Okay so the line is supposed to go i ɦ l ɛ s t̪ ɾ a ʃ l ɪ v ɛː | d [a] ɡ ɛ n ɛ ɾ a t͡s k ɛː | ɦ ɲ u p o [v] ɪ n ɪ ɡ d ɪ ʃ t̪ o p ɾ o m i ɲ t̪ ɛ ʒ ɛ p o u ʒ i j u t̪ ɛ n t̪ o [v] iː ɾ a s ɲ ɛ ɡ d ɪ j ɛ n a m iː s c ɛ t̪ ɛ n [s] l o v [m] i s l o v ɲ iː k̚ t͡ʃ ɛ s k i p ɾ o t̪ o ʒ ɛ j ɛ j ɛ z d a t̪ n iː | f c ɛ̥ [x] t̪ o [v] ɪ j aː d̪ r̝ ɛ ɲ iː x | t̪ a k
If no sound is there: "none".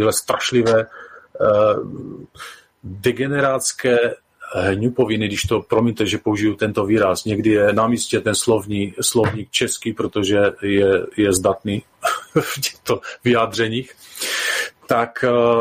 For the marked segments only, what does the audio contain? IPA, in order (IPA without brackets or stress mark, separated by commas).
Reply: ɛ, v, v, s, ɲ, x, v